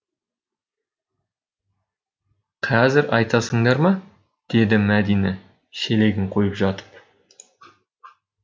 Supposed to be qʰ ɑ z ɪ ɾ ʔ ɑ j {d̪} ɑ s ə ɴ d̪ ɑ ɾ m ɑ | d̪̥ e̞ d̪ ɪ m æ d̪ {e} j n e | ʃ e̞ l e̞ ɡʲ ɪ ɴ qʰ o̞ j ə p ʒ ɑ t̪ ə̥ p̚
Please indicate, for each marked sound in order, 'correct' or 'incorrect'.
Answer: incorrect, incorrect

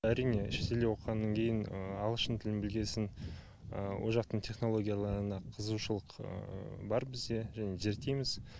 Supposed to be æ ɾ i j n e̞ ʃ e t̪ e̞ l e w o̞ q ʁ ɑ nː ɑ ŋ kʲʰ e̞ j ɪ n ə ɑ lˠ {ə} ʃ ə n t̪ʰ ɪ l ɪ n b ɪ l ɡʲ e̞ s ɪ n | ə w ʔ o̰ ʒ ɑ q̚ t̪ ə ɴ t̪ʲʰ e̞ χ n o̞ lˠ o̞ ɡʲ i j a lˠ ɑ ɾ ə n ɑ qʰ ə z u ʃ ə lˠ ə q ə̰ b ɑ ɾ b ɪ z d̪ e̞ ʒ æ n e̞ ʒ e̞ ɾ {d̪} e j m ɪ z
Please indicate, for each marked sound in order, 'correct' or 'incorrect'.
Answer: correct, incorrect

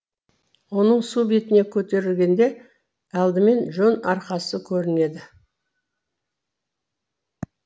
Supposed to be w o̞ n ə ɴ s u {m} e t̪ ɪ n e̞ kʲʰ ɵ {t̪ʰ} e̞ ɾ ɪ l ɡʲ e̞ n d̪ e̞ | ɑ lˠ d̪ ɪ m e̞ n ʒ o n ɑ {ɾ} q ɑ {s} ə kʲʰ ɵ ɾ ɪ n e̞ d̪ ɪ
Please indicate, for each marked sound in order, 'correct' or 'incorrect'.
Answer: incorrect, incorrect, correct, correct

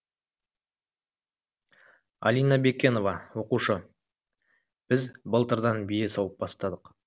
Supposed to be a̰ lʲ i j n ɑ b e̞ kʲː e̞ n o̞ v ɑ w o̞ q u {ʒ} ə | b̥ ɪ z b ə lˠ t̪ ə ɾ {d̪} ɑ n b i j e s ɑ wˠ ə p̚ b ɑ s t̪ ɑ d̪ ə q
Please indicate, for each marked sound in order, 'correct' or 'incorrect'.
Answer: incorrect, correct

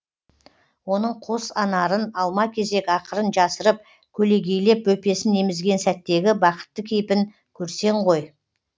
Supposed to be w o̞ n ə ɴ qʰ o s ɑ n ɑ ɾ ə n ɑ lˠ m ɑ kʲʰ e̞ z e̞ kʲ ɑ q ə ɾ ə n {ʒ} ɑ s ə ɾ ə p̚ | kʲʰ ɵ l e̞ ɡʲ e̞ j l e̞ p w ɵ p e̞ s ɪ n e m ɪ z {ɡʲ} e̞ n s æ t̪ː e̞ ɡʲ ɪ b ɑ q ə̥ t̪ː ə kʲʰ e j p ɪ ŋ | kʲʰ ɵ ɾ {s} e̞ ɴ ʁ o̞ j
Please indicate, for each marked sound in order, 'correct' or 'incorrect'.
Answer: correct, correct, correct

